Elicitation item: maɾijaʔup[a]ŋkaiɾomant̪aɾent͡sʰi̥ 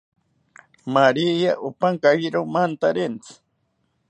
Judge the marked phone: correct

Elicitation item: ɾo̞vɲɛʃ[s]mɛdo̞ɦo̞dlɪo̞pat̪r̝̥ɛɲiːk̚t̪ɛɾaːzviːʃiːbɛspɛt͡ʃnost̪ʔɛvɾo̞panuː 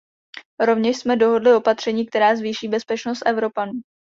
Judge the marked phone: correct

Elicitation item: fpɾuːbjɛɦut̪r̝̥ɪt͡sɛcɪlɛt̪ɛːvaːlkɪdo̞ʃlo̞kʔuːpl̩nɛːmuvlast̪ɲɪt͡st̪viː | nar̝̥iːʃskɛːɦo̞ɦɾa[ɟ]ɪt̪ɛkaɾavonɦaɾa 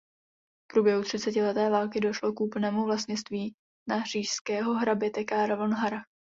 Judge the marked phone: incorrect: b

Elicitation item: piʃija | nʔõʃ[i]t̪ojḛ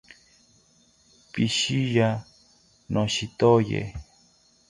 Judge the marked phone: correct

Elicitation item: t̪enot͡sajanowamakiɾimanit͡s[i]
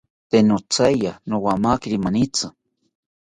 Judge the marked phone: incorrect: a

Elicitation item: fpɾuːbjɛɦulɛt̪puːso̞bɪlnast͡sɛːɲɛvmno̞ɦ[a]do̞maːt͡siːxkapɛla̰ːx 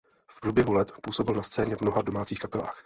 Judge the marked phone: correct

